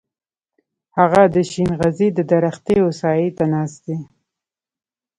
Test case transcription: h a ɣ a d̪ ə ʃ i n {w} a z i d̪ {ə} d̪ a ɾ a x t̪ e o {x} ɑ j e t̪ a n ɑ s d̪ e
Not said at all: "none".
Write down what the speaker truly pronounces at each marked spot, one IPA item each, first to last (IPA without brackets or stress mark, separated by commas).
ɣ, ə, s